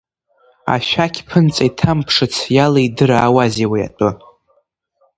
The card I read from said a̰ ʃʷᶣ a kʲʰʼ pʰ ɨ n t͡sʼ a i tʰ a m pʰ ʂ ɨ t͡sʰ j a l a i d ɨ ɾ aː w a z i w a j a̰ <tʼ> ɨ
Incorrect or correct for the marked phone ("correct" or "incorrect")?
correct